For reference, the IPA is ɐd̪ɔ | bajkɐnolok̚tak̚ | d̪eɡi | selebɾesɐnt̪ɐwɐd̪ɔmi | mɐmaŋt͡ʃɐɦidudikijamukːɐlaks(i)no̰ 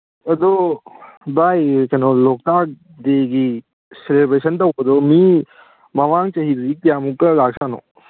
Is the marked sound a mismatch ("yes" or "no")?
yes